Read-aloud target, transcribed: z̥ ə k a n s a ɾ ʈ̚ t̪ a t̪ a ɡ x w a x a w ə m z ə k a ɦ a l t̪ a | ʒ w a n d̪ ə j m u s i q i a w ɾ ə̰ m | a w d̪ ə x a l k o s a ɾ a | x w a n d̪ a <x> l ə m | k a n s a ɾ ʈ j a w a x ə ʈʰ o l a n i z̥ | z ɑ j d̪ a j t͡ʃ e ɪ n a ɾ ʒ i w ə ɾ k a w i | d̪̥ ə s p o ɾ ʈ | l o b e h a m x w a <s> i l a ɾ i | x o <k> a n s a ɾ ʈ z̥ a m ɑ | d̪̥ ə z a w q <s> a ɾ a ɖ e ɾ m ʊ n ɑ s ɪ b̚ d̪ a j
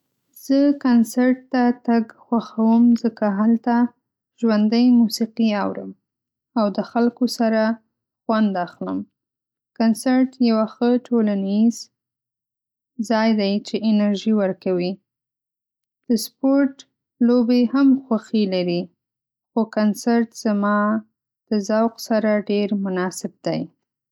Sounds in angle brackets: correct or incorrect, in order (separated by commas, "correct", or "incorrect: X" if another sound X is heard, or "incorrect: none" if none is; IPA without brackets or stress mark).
correct, incorrect: x, correct, correct